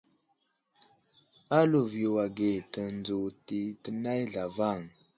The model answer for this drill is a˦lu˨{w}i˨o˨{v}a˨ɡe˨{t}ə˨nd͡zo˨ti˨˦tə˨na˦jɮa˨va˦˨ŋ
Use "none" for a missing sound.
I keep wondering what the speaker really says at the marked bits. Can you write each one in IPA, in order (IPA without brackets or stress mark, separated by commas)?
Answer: v, w, t